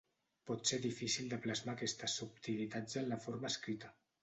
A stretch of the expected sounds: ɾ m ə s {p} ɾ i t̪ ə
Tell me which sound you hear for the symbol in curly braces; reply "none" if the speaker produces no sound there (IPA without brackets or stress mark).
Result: k